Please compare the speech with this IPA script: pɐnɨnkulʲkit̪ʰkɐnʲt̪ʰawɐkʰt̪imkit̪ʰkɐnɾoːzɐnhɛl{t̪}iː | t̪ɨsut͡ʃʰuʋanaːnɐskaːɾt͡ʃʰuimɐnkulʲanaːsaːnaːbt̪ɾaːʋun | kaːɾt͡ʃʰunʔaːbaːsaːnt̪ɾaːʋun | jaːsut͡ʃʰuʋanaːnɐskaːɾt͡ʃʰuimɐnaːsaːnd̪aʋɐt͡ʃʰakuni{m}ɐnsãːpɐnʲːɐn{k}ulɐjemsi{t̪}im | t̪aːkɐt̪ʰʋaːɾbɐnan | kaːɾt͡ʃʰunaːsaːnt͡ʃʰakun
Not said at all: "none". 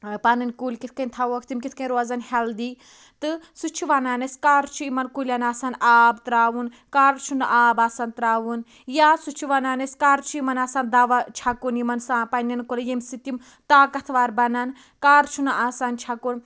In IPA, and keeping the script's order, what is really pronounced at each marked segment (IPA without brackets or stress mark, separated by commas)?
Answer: d̪, m, k, t̪